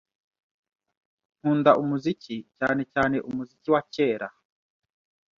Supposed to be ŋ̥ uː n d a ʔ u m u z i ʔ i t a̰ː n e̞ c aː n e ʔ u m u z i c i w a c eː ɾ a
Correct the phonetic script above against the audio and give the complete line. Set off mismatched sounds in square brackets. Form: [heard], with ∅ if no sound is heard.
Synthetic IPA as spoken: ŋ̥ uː n d a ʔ u m u z i [c] i [c] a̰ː n e̞ c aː n e ʔ u m u z i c i w a c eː ɾ a